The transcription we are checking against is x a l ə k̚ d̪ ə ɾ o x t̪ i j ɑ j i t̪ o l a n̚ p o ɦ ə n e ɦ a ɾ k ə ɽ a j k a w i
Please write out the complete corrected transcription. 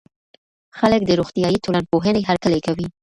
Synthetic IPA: x a l ə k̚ d̪ ə ɾ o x t̪ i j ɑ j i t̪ o l a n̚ p o ɦ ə n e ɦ a ɾ k ə l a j k a w i